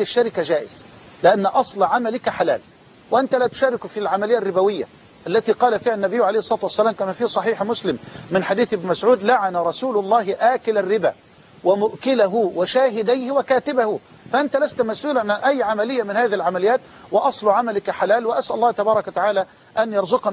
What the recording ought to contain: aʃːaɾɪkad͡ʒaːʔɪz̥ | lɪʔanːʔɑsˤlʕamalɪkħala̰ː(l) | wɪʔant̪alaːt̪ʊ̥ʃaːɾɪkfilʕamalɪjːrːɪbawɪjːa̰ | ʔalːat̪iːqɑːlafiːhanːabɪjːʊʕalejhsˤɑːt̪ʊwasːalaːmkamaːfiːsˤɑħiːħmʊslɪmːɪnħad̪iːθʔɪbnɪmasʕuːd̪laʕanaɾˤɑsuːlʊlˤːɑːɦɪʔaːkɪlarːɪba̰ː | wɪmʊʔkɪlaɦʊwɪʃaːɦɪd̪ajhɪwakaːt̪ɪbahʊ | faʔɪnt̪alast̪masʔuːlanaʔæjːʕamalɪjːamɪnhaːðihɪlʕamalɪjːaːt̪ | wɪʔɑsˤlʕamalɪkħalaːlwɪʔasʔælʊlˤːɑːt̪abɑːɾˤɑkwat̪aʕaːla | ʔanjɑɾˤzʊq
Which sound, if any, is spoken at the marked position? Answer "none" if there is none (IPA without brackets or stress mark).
l